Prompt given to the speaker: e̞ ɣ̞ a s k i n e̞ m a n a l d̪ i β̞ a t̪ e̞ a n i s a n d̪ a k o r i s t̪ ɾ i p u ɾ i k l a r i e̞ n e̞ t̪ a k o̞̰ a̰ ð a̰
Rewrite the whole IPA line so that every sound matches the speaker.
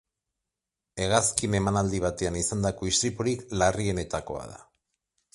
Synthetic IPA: e̞ ɣ̞ a s k i n e̞ m a n a l d̪ i β̞ a t̪ e̞ a n i s a n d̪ a k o i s t̪ ɾ i p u ɾ i k l a r i e̞ n e̞ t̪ a k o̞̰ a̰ ð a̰